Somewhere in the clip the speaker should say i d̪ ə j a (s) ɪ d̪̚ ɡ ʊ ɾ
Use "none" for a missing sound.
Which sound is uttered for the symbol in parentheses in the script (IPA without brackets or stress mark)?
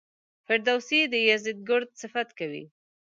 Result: z